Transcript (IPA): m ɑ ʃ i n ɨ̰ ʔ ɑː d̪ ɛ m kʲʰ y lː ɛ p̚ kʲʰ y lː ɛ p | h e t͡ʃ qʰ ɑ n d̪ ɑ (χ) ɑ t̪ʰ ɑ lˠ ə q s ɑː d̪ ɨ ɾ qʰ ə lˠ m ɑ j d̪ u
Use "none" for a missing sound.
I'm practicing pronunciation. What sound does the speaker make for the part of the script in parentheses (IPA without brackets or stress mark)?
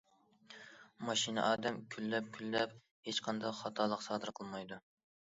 χ